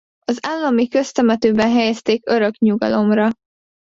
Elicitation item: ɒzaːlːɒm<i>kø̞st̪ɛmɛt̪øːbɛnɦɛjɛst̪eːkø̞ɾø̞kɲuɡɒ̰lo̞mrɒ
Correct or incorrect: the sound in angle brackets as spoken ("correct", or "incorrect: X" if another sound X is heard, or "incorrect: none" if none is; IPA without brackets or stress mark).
correct